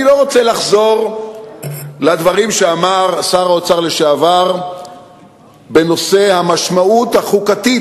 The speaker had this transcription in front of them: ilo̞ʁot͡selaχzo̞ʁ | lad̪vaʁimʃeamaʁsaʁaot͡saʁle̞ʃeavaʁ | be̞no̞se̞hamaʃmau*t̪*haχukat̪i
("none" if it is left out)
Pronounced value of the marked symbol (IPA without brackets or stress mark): t̪